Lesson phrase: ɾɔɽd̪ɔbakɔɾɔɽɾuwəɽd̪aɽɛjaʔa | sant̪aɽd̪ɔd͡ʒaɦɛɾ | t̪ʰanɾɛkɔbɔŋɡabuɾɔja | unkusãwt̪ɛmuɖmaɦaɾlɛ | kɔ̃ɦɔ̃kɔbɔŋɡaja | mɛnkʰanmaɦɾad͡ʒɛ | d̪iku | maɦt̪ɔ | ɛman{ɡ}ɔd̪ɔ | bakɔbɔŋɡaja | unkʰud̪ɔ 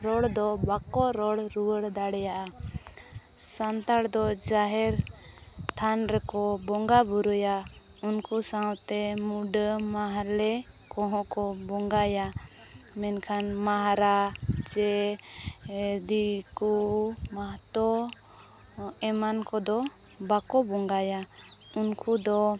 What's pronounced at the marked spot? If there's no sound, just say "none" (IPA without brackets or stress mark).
k